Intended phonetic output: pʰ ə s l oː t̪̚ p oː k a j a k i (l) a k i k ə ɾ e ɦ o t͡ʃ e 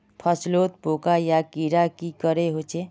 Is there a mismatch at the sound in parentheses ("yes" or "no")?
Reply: yes